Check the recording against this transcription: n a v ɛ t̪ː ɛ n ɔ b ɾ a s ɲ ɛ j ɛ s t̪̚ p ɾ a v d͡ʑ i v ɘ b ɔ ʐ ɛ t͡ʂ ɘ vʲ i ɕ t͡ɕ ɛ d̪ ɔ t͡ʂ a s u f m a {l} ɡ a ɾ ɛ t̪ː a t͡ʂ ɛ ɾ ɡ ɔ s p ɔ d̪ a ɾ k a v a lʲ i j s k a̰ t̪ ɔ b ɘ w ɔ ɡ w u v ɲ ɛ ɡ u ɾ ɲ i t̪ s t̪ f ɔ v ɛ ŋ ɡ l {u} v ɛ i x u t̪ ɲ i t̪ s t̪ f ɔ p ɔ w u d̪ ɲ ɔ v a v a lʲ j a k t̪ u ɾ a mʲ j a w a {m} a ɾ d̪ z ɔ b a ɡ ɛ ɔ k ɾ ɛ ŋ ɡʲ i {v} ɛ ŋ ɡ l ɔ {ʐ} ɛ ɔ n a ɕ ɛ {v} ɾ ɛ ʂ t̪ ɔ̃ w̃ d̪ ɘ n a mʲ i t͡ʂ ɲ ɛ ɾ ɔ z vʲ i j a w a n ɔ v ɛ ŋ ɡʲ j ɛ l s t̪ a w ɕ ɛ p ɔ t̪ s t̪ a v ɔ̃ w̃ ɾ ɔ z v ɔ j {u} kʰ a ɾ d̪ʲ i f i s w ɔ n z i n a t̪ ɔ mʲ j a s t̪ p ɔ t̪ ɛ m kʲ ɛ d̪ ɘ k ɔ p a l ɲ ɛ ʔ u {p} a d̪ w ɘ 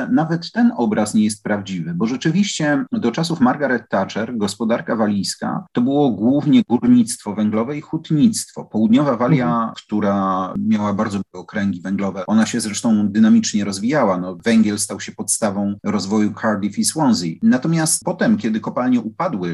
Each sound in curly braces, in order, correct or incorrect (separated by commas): incorrect, incorrect, incorrect, correct, incorrect, incorrect, correct, correct